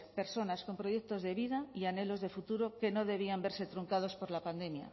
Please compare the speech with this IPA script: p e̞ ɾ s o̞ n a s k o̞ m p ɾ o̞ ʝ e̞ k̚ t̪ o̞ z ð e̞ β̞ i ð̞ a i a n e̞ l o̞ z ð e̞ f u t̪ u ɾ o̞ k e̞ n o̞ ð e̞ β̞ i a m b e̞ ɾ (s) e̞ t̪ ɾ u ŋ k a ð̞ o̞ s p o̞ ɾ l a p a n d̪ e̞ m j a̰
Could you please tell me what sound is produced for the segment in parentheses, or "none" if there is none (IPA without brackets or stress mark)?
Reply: s